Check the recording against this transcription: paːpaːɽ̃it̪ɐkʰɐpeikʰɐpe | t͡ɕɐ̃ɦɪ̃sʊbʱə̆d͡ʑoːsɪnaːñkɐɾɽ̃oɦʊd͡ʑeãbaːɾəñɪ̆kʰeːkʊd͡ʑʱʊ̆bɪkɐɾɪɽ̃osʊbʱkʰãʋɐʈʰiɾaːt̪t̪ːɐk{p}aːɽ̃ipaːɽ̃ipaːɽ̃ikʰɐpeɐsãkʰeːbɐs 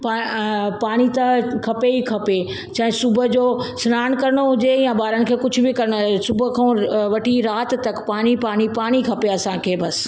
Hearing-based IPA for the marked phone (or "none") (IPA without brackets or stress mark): p